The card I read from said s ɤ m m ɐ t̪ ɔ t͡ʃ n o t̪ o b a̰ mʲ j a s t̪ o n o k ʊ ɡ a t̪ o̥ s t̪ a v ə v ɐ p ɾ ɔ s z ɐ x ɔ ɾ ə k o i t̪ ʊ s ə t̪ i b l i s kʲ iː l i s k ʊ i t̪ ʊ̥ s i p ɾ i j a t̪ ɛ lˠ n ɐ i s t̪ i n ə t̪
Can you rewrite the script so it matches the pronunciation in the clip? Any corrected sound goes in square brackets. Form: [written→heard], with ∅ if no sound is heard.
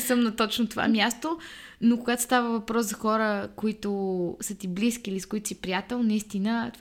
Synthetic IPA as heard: s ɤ m [m→n] ɐ t̪ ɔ t͡ʃ n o t̪ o [b→v] a̰ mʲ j a s t̪ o n o k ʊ ɡ a t̪ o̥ s t̪ a v ə v ɐ p ɾ ɔ s z ɐ x ɔ ɾ ə k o i t̪ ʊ s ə t̪ i b l i s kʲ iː l i s k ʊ i t̪ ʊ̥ s i p ɾ i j a t̪ ɛ lˠ n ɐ i s t̪ i n ə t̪